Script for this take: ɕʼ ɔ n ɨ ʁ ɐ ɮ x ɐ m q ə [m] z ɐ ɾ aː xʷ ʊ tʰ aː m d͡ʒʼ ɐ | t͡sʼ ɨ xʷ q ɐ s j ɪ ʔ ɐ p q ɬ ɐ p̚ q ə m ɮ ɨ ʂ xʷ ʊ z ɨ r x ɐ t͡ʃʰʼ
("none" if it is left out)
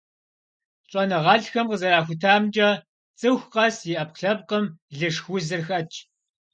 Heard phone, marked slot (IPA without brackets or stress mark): none